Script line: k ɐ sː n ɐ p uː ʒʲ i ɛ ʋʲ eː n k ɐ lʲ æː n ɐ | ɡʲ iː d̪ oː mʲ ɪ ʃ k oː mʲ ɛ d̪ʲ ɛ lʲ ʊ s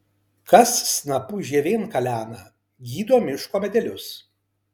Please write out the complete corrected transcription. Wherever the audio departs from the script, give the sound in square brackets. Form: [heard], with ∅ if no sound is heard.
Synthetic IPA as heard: k ɐ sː n ɐ p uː ʒʲ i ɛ ʋʲ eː n k ɐ lʲ æː n ɐ | ɡʲ iː d̪ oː mʲ ɪ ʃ k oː mʲ ɛ d̪ʲ ɛ lʲ ʊ s